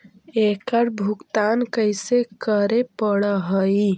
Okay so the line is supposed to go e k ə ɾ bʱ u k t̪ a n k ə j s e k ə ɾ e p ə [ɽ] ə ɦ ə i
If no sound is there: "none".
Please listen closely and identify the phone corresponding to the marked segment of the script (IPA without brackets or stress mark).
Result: ɽ